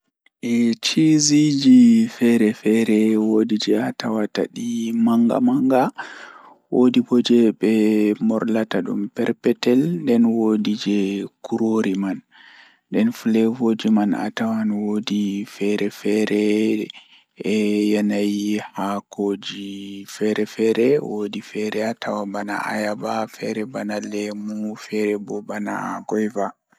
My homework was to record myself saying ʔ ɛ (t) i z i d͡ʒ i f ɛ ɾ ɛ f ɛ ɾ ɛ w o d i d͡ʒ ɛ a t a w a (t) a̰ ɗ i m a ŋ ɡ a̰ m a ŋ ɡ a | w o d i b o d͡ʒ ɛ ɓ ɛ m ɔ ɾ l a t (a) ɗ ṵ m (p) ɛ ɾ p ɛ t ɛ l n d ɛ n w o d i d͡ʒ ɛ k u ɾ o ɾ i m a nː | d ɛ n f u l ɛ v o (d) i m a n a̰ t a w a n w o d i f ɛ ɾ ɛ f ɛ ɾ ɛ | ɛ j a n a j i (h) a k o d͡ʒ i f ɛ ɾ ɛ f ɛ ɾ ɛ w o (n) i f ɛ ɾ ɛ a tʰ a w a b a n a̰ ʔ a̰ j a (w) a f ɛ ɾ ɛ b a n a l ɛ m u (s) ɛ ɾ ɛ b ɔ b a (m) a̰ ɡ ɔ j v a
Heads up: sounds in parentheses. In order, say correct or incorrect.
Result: incorrect: t͡ʃ, correct, correct, correct, incorrect: d͡ʒ, correct, incorrect: d, incorrect: b, incorrect: f, incorrect: n

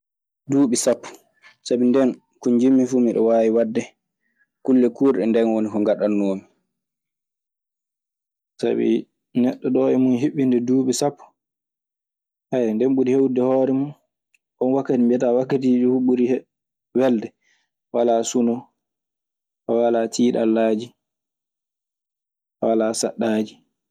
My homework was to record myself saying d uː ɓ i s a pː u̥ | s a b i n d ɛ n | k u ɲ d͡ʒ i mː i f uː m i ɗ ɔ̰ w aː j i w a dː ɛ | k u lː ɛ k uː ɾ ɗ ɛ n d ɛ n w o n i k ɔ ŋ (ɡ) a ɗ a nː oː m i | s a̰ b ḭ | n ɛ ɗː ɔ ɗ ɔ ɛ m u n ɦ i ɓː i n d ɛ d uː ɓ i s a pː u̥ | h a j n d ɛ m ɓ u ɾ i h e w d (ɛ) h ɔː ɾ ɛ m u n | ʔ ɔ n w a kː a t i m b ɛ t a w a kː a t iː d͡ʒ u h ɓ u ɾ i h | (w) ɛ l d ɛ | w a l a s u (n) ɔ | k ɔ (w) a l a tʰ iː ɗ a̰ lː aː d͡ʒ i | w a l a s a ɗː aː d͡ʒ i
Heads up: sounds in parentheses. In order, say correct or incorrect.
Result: correct, correct, correct, correct, correct

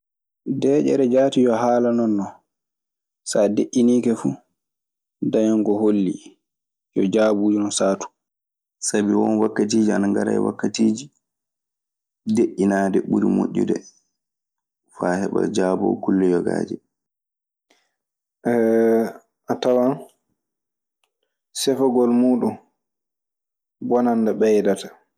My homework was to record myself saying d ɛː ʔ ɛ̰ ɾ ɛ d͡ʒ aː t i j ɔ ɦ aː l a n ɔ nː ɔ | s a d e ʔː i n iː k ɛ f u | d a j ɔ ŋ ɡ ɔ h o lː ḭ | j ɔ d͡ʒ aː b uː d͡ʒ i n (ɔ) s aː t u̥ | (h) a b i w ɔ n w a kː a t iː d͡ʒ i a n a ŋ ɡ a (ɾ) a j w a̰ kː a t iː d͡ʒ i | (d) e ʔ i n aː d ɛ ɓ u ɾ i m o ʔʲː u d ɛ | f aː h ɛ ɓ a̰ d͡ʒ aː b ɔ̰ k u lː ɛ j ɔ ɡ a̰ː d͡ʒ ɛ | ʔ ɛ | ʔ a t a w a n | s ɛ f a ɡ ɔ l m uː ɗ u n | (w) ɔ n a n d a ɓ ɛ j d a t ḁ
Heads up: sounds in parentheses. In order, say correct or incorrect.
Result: correct, incorrect: s, correct, correct, incorrect: b

